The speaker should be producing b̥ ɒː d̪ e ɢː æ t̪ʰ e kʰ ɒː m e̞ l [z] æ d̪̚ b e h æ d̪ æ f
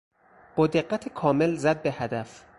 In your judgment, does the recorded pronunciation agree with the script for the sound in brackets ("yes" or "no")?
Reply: yes